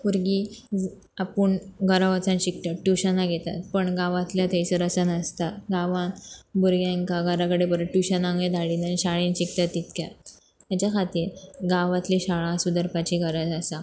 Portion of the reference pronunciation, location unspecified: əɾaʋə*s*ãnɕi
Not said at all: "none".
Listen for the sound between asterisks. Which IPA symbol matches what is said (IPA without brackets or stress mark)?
t͡s